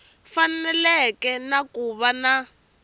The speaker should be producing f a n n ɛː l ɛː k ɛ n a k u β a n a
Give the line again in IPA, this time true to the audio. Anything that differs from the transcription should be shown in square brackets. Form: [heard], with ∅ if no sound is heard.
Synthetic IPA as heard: f a n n [ɛ] l [ɛ] k ɛ n a k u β a n a